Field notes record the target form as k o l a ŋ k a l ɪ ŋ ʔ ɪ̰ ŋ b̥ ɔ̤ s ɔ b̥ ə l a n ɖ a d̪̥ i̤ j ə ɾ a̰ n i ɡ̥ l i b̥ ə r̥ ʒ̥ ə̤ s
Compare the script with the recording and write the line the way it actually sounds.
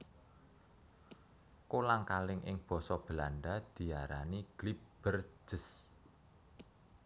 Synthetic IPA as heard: k o l a ŋ k a l ɪ ŋ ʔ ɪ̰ ŋ b̥ ɔ̤ s ɔ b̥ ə l a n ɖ a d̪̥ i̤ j a ɾ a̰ n i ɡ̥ l i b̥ ə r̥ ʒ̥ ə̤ s

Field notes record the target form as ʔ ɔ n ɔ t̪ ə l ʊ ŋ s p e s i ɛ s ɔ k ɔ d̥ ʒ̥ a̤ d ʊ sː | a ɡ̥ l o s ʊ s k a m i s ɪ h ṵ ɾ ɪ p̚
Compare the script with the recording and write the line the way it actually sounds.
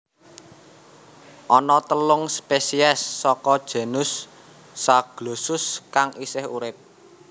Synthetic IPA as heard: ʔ ɔ n ɔ t̪ ə l ʊ ŋ s p e s i ɛ sː ɔ k ɔ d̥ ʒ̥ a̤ n ʊ sː | a ɡ̥ l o s ʊ s k a ŋ i s ɪ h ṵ ɾ ɪ p̚

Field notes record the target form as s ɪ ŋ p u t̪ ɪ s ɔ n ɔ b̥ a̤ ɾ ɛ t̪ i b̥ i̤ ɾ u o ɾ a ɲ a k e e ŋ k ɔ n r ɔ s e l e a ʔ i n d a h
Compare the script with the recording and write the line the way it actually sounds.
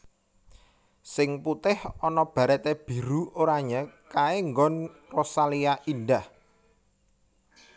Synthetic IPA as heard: s ɪ ŋ p u t̪ ɪ h ɔ n ɔ b̥ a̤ ɾ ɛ t̪ e b̥ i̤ ɾ u o ɾ a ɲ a k a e ŋ ɡ ɔ n r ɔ s a l i a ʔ i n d a h

